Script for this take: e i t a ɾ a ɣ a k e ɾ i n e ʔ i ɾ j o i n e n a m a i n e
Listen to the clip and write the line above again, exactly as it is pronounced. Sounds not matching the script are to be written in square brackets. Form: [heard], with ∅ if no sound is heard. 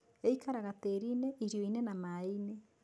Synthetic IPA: e i [k] a ɾ a ɣ a [t] e ɾ i n e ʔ i ɾ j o i n e n a m a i n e